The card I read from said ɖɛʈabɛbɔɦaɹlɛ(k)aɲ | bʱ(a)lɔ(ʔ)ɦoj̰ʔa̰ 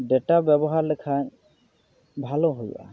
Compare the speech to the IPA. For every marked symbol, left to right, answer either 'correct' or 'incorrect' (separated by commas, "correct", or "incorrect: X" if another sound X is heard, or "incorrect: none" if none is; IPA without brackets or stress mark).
incorrect: kʰ, correct, incorrect: none